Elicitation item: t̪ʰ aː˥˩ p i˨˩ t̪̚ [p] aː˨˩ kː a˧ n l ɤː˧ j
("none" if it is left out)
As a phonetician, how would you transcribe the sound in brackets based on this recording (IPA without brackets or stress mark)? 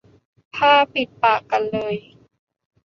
p